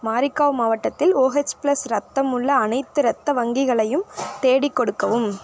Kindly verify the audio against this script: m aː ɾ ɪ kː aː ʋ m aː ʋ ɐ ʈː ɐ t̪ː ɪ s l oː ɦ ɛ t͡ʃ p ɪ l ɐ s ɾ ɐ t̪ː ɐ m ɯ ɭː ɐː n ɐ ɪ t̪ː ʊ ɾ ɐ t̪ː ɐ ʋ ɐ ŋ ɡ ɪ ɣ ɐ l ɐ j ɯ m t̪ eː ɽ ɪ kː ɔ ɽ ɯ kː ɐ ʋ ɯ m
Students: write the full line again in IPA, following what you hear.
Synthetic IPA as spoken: m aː ɾ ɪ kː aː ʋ m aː ʋ ɐ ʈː ɐ t̪ː ɪ l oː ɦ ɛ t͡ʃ p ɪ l ɐ s ɾ ɐ t̪ː ɐ m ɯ ɭː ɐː n ɐ ɪ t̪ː ɯ ɾ ɐ t̪ː ɐ ʋ ɐ ŋ ɡ ɪ ɣ ɐ ɭ ɐ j ɯ m t̪ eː ɽ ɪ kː ɔ ɽ ɯ kː ɐ ʋ ɯ m